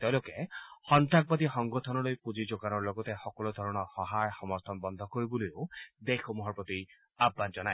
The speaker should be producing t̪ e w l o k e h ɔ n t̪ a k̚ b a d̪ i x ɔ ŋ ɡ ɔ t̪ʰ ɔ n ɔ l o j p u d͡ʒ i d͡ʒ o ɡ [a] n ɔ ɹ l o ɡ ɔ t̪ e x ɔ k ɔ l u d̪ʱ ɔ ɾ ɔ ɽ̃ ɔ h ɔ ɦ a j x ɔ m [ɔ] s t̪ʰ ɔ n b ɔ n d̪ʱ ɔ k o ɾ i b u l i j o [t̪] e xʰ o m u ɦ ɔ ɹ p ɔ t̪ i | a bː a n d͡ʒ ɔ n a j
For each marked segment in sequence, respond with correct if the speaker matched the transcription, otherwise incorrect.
correct, correct, incorrect: d̪

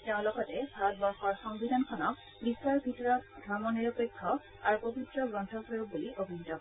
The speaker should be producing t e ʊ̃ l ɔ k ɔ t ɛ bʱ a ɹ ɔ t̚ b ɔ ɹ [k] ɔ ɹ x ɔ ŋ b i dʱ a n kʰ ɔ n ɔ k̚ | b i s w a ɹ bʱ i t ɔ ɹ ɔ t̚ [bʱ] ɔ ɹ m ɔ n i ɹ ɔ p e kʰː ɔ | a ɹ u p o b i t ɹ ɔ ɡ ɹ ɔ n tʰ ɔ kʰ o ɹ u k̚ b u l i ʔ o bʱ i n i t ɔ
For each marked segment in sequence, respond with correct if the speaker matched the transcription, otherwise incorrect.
incorrect: x, incorrect: dʱ

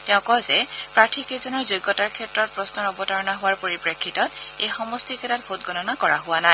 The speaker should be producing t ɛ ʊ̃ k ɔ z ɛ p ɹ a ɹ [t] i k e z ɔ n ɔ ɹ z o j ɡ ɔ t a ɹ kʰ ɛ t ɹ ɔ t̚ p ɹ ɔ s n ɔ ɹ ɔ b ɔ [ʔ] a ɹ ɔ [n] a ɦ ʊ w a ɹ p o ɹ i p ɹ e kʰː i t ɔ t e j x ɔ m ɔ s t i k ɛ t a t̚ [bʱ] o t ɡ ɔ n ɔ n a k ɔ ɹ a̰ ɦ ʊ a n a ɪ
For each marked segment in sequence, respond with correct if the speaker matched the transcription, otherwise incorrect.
incorrect: tʰ, incorrect: t, correct, correct

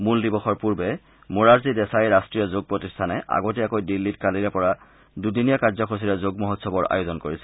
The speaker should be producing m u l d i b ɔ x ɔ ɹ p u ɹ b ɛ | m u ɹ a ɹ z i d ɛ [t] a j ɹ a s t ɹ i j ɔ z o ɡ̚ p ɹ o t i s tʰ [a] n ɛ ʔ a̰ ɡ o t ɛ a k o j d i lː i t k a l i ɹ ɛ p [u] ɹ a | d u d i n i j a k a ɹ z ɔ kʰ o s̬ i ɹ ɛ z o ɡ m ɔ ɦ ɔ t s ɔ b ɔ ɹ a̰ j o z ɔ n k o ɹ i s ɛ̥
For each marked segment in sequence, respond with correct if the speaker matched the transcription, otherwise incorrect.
incorrect: s, correct, incorrect: ɔ

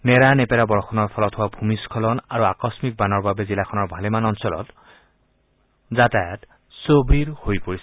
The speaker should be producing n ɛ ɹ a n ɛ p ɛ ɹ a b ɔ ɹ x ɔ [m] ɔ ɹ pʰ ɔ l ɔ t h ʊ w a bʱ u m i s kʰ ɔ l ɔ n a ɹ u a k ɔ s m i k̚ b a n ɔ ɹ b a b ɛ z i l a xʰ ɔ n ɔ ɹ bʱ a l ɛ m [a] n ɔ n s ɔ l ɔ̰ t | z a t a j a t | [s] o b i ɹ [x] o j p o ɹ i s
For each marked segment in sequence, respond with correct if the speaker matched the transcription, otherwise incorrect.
incorrect: n, correct, correct, incorrect: h

